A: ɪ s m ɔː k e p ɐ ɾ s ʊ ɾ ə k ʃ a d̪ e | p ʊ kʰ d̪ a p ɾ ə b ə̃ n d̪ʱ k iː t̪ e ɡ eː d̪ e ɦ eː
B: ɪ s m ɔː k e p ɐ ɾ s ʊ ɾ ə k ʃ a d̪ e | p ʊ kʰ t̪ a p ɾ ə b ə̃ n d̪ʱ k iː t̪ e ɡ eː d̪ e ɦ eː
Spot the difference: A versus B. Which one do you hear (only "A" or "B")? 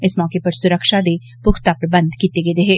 B